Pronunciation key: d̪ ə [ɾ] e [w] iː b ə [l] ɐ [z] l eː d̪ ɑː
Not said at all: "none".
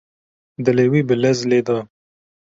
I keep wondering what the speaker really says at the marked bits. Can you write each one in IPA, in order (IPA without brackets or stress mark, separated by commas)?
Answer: l, w, l, z